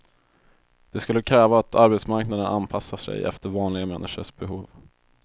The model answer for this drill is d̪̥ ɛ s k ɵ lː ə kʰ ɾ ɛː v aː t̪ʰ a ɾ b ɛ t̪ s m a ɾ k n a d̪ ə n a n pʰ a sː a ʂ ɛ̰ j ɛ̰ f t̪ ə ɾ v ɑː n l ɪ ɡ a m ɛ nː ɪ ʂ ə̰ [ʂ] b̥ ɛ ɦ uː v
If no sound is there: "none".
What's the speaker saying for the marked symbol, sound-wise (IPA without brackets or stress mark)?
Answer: ʂ